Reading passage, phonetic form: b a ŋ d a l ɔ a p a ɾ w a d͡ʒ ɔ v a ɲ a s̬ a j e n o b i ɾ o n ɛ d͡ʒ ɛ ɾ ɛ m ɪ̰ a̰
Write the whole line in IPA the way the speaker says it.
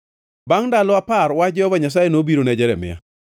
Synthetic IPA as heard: b a ŋ d a l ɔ a p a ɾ w a d͡ʒ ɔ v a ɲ a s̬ a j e n o b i ɾ o n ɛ d͡ʒ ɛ ɾ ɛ m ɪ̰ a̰